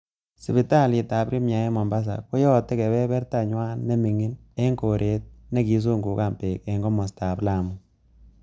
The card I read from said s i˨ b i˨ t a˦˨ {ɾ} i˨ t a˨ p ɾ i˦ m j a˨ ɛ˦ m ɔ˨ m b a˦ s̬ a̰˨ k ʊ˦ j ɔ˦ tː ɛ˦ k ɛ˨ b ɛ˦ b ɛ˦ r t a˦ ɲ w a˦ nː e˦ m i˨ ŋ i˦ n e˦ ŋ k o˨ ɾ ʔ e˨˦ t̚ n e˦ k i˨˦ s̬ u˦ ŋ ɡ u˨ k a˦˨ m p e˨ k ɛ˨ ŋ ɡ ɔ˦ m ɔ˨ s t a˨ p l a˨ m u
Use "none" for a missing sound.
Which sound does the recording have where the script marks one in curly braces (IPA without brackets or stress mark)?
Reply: l